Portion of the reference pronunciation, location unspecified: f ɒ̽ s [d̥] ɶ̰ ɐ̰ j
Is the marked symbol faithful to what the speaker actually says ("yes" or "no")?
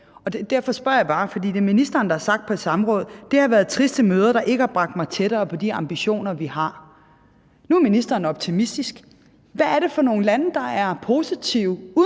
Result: no